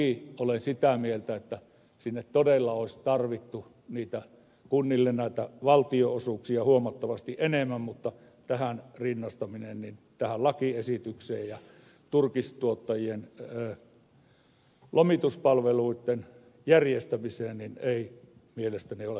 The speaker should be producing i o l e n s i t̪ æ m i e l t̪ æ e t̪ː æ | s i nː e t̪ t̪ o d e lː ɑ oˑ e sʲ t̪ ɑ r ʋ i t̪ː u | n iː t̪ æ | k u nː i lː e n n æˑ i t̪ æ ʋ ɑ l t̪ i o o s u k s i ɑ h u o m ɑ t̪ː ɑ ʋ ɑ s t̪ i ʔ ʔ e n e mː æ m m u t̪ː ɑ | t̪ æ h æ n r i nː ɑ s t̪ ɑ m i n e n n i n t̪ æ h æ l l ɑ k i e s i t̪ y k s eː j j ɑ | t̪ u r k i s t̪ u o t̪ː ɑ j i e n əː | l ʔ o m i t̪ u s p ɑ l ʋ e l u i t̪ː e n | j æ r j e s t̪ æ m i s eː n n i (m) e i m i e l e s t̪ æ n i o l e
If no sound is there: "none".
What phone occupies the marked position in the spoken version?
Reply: n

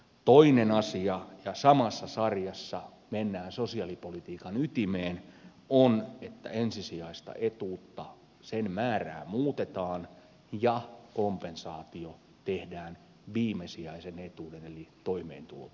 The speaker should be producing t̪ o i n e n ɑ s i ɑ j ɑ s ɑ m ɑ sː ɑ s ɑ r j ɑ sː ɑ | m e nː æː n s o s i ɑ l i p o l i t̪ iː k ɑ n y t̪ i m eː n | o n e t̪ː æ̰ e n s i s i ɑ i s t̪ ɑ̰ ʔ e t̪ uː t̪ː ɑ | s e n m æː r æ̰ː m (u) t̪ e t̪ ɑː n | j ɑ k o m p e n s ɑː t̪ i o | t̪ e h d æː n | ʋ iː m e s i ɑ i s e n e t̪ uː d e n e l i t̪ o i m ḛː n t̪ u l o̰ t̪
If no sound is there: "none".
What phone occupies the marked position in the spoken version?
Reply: uː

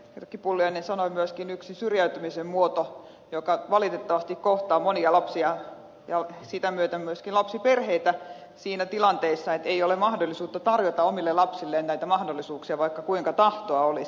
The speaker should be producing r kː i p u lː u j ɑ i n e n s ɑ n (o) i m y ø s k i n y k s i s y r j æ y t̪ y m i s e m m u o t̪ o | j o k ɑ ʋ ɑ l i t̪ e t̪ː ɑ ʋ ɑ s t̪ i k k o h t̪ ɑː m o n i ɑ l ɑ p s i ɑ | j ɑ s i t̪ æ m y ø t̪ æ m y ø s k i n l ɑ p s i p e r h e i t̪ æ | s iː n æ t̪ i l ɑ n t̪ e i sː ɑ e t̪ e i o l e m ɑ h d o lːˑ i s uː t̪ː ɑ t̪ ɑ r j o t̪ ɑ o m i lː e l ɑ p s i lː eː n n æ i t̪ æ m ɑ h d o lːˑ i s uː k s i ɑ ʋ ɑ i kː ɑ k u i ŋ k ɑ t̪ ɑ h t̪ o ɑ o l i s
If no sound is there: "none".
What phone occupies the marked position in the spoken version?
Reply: o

